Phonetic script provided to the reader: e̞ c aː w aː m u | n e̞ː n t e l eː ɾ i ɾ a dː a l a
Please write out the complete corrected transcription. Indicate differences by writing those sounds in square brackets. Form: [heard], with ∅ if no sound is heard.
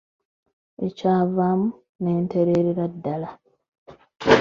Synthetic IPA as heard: e̞ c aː [v] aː m u | n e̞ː n t e [ɾ] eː ɾ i ɾ a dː a l a